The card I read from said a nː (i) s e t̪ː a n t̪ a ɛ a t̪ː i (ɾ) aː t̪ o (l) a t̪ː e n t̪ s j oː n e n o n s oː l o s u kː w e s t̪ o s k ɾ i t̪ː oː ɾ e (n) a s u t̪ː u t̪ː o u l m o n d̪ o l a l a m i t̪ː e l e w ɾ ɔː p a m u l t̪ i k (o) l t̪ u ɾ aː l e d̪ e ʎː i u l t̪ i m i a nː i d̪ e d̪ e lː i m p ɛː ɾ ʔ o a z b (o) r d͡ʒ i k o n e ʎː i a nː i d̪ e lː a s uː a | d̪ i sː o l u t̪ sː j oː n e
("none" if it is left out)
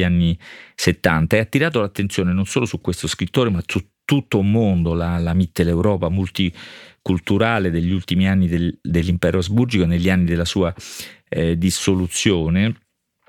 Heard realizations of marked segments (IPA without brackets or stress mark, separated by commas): i, ɾ, l, m, u, u